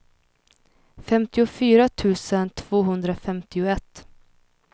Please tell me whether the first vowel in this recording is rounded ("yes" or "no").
no